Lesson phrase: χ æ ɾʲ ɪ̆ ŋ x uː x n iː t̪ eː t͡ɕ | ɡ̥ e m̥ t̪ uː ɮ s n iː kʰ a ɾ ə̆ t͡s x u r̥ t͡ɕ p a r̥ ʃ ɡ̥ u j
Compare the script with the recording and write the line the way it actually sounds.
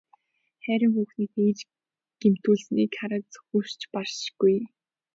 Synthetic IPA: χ æ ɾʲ ɪ̆ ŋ x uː x n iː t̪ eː t͡ɕ | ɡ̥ e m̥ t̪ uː ɮ s n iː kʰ a ɾ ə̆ t͡s x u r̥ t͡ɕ p a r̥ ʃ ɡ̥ u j

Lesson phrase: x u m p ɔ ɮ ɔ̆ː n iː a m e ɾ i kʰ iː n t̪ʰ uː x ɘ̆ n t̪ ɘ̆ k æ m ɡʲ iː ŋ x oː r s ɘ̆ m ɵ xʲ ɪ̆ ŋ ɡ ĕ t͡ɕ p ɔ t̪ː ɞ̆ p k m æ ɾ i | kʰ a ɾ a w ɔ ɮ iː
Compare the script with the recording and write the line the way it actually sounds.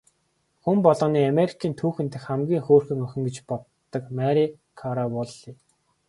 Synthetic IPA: x u m p ɔ ɮ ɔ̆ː n iː a m e ɾ i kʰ iː n t̪ʰ uː x ɘ̆ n t̪ ɘ̆ x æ m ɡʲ iː ŋ x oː r x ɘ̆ ŋ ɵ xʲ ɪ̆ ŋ ɡ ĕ t͡ɕ p ɔ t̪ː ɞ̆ k m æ ɾ i | kʰ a ɾ a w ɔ ɮ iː

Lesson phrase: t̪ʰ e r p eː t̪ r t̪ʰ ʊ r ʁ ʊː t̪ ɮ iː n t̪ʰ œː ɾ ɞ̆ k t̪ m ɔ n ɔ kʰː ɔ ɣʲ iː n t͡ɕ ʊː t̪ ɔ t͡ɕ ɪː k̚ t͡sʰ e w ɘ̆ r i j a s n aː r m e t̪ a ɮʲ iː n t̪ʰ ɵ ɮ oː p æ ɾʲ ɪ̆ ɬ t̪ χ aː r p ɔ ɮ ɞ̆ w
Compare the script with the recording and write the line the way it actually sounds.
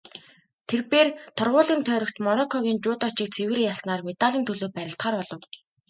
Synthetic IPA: t̪ʰ e r p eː r t̪ʰ ʊ r ʁ ʊː ɮ iː n t̪ʰ œː ɾ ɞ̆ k t̪ m ɔ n ɔ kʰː ɔ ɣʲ iː n t͡ɕ ʊː t̪ ɔ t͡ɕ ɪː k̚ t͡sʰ e w ɘ̆ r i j a s n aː r m e t̪ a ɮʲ iː n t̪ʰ ɵ ɮ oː p æ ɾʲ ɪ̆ ɬ t̪ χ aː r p ɔ ɮ ɞ̆ w

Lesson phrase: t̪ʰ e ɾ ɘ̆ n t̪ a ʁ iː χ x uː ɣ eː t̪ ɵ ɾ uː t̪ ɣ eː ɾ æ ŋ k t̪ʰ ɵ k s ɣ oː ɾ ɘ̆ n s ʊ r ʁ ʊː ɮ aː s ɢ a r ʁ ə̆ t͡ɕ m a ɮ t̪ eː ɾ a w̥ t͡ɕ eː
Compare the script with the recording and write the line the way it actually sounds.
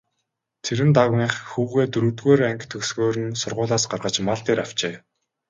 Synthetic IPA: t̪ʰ e ɾ ɘ̆ n t̪ a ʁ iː χ x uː ɣ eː t̪ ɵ ɾ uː t̪ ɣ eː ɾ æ ŋ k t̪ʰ ɵ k s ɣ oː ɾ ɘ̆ n s ʊ r ʁ ʊː ɮ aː s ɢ a r ʁ ə̆ t͡ɕ m a ɮ t̪ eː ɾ a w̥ t͡ɕ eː

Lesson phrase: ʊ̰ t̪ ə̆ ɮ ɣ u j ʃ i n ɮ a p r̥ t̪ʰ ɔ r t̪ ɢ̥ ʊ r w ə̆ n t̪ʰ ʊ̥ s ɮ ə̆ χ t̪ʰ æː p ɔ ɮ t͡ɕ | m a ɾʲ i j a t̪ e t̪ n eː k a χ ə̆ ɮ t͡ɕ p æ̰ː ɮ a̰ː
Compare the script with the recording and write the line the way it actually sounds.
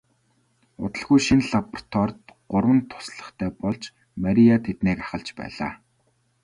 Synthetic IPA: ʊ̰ t̪ ə̆ ɮ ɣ u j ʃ i n ɮ a p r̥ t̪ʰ ɔ r t̪ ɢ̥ ʊ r w ə̆ n t̪ʰ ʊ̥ s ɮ ə̆ χ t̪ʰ æː p ɔ ɮ t͡ɕ | m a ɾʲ i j a t̪ʰ e t̪ n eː k a χ ə̆ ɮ t͡ɕ p æ̰ː ɮ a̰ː

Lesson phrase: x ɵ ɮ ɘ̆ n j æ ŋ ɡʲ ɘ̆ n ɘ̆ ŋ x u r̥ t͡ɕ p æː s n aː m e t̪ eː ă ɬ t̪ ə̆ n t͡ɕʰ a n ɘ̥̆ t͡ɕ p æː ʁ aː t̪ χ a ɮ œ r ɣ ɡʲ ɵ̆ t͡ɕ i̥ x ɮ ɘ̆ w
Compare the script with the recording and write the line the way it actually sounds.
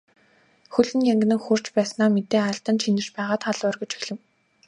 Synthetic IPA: x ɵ ɮ ɘ̆ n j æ ŋ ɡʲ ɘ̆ n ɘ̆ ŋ x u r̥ t͡ɕ p æː s n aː m e t̪ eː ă ɬ t̪ ə̆ n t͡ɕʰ i n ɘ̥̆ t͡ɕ p æː ʁ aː t̪ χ a ɮ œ r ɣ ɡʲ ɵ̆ t͡ɕ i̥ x ɮ ɘ̆ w

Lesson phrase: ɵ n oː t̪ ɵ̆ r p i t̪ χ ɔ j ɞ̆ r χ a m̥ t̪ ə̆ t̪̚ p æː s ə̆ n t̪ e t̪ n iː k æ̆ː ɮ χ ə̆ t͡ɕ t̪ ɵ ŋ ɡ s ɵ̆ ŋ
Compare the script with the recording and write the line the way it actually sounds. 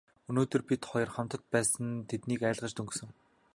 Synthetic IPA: ɵ n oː t̪ ɵ̆ r p i t̪ χ ɔ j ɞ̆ r χ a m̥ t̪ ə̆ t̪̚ p æː s ə̆ n t̪ʰ e t̪ n iː k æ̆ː ɮ ʁ ə̆ t͡ɕ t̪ ɵ ŋ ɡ s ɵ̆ ŋ

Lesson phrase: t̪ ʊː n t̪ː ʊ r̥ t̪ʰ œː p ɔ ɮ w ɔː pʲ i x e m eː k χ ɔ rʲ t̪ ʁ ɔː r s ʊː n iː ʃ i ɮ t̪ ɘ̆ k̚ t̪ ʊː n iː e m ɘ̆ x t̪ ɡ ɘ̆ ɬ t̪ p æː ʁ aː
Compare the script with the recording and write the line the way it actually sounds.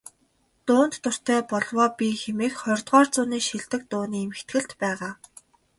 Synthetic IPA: t̪ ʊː n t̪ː ʊ r̥ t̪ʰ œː p ɔ ɮ w ɔː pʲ i x e m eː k χ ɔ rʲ t̪ ʁ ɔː r t͡s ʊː n iː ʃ i ɮ t̪ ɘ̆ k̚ t̪ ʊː n iː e m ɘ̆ x t̪ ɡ ɘ̆ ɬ t̪ p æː ʁ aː

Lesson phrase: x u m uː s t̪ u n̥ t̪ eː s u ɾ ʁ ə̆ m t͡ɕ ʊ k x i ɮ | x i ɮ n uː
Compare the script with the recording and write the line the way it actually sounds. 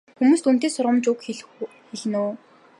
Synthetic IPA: x u m uː s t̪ u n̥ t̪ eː s ʊ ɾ ʁ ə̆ m t͡ɕ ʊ k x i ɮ | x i ɮ n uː

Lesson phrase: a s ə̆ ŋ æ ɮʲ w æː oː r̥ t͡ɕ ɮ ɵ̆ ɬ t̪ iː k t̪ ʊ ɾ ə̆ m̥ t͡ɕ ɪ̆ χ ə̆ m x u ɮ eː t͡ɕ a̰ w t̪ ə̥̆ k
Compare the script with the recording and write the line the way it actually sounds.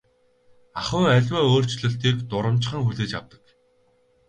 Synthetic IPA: a χ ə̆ ŋ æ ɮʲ w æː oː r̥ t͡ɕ ɮ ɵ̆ ɬ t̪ iː k t̪ ʊ ɾ ə̆ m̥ t͡ɕ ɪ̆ χ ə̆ ŋ x u ɮ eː t͡ɕ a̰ w t̪ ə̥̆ k

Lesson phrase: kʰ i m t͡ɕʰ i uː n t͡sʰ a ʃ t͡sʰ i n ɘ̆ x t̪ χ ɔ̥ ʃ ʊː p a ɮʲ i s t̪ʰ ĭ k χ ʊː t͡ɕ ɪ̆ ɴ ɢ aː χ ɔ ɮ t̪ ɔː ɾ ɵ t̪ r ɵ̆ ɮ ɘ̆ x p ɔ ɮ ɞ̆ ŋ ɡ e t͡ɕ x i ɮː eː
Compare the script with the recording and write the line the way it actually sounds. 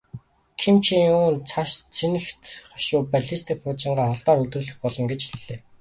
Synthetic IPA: kʰ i m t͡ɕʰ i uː n t͡sʰ a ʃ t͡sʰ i n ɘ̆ x t̪ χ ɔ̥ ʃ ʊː p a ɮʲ i s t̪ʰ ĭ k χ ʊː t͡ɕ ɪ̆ ɴ ɢ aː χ ɔ ɮ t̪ ɔː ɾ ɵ t̪ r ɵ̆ ɮ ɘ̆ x p ɔ ɮ ɞ̆ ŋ ɡ e t͡ɕ x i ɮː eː

